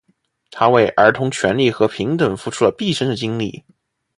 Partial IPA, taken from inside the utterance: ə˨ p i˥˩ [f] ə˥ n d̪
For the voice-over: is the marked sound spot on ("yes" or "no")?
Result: no